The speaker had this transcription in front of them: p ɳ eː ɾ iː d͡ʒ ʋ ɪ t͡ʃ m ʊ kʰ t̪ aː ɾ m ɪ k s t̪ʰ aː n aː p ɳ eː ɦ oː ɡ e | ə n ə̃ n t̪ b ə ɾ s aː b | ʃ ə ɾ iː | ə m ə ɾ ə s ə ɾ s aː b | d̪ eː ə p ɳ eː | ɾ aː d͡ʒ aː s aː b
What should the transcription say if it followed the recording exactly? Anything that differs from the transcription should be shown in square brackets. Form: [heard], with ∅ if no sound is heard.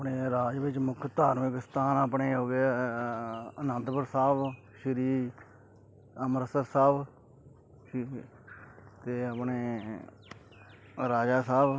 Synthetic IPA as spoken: p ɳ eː ɾ [aː] d͡ʒ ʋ ɪ t͡ʃ m ʊ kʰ t̪ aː ɾ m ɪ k s [t̪] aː n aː p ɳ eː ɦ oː ɡ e | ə n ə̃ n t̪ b ə ɾ s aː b | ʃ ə ɾ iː | ə m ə ɾ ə s ə ɾ s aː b | [t̪] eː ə p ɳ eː | ɾ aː d͡ʒ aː s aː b